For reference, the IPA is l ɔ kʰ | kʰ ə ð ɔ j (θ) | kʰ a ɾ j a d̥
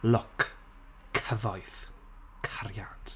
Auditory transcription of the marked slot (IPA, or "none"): θ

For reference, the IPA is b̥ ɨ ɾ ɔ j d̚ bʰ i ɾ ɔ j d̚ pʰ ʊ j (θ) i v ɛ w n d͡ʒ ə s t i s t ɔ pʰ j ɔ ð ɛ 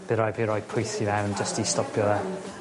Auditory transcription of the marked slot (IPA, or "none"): θ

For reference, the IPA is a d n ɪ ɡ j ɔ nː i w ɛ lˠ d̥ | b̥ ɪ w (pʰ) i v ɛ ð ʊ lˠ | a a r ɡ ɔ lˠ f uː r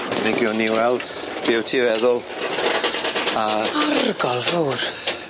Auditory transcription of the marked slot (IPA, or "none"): tʰ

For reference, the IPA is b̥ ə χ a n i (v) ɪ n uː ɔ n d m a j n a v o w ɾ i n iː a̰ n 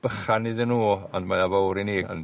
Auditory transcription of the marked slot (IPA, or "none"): ð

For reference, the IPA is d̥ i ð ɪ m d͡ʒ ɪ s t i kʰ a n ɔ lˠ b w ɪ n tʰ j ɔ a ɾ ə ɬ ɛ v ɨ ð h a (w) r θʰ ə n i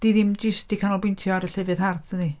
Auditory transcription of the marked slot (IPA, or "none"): none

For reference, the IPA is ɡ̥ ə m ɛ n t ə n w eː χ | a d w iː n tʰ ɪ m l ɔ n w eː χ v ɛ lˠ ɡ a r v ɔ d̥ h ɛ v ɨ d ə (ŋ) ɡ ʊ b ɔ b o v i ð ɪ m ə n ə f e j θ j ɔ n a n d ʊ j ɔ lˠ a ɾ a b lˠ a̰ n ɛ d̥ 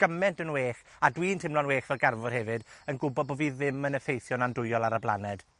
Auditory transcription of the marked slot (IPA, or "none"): n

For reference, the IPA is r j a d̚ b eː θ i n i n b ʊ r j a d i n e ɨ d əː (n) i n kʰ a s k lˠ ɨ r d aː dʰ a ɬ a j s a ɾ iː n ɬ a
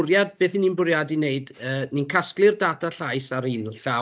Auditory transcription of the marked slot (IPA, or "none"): n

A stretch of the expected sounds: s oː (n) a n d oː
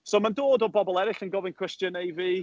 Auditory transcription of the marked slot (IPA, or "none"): m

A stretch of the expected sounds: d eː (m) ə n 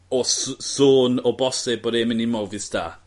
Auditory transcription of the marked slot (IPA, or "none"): m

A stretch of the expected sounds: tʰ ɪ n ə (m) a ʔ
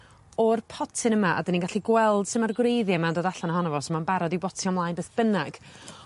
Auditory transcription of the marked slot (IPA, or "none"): m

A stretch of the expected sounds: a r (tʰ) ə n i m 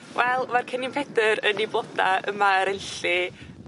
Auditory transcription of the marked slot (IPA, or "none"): kʰ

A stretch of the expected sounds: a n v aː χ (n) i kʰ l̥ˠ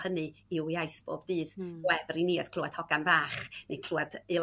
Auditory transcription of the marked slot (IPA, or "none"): n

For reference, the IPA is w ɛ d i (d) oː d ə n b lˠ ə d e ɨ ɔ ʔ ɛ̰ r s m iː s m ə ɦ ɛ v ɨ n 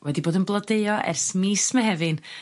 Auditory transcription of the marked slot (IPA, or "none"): b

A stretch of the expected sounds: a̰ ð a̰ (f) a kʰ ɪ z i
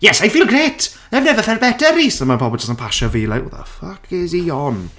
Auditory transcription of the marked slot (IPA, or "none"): f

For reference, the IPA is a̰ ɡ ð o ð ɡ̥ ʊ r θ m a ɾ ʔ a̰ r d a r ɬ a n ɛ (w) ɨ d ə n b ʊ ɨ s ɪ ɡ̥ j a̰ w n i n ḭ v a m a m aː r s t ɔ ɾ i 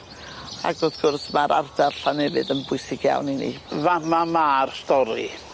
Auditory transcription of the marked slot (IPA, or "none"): v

